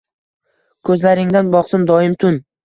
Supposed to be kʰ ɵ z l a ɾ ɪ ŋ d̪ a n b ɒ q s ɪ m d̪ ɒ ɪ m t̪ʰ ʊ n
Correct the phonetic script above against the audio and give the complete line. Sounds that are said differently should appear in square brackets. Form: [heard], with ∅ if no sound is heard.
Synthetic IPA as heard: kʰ ɵ z l a ɾ ɪ ŋ d̪ a n b ɒ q s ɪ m d̪ ɒ ɪ m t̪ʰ ʊ n